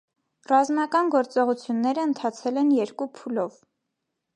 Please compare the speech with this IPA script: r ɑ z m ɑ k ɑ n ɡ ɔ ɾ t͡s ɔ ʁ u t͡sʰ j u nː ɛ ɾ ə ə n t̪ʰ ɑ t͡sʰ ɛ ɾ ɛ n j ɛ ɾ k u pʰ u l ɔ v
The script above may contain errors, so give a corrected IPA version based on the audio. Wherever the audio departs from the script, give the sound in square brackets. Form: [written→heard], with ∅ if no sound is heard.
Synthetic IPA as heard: r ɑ z m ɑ k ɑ n ɡ ɔ ɾ t͡s ɔ ʁ u t͡sʰ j u nː ɛ ɾ ə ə n t̪ʰ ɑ t͡sʰ ɛ [ɾ→l] ɛ n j ɛ ɾ k u pʰ u l ɔ v